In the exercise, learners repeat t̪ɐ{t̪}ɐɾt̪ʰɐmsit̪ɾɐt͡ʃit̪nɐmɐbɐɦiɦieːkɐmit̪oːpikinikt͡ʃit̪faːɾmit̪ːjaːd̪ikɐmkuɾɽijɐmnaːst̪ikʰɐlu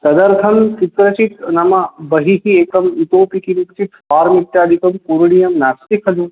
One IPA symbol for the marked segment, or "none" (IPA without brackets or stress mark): d̪